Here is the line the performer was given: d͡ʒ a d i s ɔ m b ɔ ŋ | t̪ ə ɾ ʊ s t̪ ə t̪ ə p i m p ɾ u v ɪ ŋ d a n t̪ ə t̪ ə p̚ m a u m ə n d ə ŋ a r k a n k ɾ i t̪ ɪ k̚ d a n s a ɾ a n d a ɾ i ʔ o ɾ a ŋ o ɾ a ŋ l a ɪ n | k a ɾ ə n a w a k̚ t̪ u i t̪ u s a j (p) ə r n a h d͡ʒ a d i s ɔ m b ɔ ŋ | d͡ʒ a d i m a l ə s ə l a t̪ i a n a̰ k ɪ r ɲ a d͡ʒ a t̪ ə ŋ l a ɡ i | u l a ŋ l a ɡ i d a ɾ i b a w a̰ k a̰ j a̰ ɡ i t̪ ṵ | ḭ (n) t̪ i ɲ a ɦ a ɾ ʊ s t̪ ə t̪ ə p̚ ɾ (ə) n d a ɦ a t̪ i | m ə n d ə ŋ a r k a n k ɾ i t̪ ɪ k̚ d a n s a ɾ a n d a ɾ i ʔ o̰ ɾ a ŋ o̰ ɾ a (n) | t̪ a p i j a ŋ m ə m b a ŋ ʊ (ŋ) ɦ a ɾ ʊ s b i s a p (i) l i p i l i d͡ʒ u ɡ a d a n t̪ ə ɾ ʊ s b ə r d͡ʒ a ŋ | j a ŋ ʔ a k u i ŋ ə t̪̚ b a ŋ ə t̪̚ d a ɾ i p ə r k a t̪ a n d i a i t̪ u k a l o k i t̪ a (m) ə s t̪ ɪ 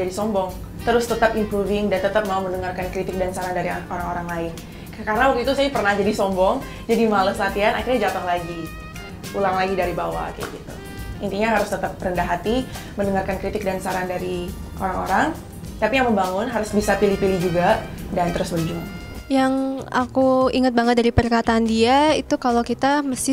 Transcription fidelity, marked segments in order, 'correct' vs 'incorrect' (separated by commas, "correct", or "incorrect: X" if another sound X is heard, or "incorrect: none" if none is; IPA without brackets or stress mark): correct, correct, correct, incorrect: ŋ, incorrect: n, correct, correct